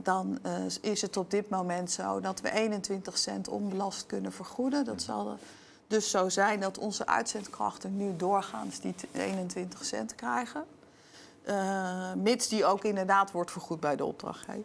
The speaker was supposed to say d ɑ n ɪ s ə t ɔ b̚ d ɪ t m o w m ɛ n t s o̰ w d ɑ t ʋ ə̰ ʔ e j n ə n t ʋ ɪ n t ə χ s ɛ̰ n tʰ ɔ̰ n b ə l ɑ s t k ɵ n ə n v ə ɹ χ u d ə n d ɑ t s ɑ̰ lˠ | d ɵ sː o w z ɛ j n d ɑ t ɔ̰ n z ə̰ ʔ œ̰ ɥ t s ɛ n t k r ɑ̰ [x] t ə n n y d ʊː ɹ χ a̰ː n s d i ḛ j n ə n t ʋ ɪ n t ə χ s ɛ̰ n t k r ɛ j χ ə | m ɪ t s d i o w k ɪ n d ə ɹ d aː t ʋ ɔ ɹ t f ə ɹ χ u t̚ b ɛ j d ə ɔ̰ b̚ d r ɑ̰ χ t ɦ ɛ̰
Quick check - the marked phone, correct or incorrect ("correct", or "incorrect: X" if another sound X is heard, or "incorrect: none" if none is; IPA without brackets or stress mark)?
incorrect: χ